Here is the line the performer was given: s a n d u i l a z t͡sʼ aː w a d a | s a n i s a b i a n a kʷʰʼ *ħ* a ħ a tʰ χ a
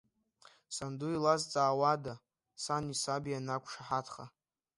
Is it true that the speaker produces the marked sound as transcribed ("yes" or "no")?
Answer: no